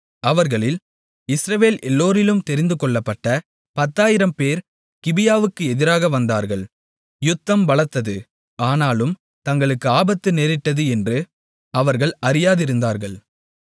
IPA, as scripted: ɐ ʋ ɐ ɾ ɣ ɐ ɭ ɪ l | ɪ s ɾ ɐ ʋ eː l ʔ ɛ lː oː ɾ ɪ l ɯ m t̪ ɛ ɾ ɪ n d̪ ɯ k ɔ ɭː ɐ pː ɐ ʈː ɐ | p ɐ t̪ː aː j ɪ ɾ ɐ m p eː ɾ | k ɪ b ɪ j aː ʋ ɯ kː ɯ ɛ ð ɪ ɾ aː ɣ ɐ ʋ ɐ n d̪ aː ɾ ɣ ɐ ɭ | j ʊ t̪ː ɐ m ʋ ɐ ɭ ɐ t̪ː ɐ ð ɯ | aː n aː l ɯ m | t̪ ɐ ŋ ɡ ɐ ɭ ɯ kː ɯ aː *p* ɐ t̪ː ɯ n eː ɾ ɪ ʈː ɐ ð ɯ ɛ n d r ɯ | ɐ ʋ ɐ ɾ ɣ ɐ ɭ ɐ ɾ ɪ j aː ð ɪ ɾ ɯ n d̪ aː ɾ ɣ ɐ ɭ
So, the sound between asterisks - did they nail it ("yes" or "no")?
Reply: no